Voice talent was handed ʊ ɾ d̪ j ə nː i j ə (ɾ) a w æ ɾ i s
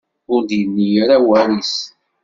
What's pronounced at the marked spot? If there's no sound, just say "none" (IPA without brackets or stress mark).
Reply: ɾ